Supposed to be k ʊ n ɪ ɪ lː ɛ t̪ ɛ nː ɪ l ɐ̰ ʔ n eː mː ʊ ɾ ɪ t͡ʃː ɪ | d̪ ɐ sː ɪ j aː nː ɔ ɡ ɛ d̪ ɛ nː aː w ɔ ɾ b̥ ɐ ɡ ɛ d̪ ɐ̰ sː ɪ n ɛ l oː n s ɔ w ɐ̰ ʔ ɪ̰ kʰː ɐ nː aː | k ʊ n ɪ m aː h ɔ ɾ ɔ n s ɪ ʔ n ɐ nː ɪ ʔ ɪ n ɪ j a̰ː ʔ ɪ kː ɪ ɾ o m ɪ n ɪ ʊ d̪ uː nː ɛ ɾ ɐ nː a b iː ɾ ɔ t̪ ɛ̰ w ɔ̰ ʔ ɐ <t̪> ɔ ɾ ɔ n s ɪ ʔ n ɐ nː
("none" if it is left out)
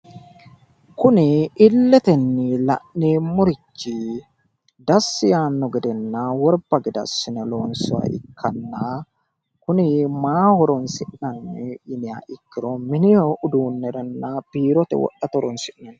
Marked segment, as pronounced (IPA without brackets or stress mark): t̪